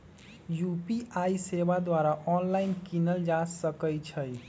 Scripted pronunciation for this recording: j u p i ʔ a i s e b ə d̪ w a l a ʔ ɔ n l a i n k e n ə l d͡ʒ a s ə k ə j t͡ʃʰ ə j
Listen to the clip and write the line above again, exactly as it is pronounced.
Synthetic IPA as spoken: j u p i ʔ a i s e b a d̪ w a ɾ a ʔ ɔ n l a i n k i n ə l d͡ʒ a s ə k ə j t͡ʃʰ ə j